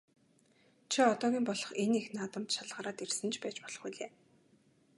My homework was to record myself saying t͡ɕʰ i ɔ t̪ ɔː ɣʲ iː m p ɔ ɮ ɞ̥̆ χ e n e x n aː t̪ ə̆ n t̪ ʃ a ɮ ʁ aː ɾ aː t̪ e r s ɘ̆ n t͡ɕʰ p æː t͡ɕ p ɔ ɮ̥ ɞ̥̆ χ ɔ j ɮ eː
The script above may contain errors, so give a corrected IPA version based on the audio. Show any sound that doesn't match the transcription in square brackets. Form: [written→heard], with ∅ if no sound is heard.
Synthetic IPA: t͡ɕʰ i ɔ t̪ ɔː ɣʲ iː m p ɔ ɮ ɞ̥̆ χ e n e x n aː t̪ ə̆ [n→m] t̪ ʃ a ɮ ʁ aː ɾ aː t̪ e r s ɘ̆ n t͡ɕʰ p æː t͡ɕ p ɔ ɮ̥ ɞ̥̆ χ [ɔ→u] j ɮ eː